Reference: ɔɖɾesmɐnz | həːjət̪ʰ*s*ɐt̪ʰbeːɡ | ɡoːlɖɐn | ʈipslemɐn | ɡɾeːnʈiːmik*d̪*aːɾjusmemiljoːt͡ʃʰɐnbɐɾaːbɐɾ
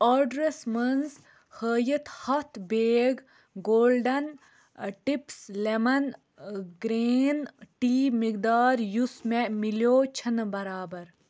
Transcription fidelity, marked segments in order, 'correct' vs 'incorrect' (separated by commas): incorrect, correct